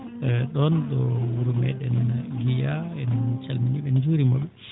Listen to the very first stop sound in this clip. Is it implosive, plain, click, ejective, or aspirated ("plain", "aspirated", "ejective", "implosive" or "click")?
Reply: implosive